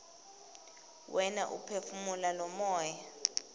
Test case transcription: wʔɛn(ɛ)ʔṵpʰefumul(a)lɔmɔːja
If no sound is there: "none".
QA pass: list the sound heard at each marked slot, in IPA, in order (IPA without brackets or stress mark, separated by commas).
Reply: a, a